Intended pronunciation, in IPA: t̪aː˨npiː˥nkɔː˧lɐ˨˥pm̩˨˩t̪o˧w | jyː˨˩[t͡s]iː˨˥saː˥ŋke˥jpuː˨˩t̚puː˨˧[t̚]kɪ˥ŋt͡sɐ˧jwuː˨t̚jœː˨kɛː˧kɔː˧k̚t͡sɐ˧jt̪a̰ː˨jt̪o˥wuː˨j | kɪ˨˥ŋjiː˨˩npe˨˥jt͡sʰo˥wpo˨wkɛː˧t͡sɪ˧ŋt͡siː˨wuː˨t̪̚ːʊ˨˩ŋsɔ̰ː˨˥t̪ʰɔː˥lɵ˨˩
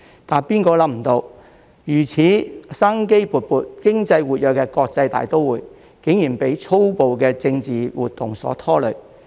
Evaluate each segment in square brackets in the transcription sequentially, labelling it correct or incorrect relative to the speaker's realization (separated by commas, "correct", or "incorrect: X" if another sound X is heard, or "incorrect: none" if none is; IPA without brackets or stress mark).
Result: incorrect: t͡sʰ, correct